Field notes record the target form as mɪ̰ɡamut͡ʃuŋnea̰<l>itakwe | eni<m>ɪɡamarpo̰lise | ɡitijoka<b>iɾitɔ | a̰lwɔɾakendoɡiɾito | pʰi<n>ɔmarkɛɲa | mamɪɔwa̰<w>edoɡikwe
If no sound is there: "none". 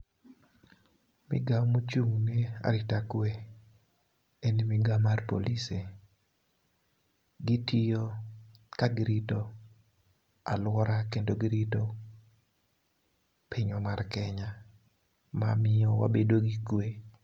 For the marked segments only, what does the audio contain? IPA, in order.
ɾ, m, ɡ, ɲ, b

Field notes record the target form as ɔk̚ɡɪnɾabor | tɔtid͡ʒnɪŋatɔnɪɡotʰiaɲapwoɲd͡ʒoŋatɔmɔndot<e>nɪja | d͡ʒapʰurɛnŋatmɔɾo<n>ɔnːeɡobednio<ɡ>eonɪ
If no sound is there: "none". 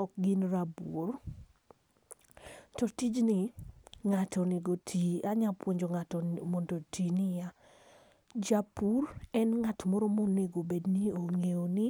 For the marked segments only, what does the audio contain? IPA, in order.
i, m, ŋ

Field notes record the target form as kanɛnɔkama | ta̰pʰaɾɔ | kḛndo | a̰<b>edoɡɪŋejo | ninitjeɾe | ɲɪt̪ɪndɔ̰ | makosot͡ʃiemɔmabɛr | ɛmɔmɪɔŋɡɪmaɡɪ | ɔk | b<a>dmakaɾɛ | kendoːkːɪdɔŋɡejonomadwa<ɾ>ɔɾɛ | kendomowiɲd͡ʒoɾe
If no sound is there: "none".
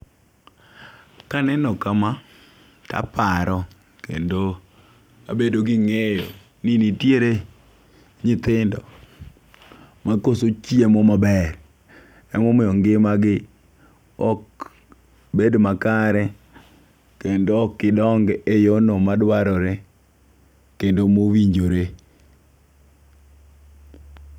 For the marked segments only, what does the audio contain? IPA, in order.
b, e, ɾ

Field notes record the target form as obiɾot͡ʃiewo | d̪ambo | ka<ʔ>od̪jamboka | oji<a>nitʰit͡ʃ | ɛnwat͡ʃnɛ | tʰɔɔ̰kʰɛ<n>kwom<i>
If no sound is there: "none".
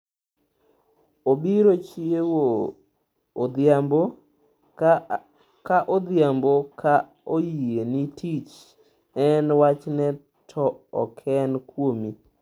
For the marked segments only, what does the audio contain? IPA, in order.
ʔ, e, n, i

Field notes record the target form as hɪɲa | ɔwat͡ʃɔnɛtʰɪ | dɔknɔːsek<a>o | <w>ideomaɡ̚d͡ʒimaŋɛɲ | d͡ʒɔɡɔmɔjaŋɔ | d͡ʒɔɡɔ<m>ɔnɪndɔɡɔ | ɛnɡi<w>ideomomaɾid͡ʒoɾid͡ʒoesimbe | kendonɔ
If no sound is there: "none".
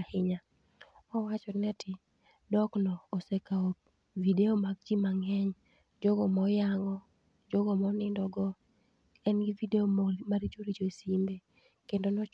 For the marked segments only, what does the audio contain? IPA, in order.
a, v, m, v

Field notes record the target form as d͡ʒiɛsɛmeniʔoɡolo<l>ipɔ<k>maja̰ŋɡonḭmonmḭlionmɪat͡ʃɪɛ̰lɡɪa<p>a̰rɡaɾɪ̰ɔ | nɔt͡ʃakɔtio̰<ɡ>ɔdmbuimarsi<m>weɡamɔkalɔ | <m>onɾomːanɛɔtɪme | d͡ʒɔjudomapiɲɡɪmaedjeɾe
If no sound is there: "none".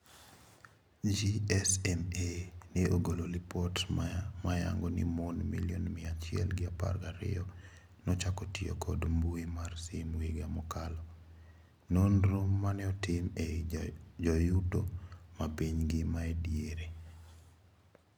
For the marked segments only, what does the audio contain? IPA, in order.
l, t, p, k, m, n

